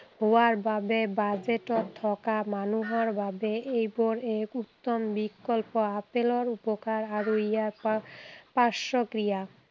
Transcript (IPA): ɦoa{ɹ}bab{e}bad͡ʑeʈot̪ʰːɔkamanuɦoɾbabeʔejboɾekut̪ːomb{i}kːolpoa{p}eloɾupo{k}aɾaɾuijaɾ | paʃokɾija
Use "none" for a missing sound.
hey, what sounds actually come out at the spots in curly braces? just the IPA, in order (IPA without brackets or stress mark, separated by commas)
ɾ, e, i, p, k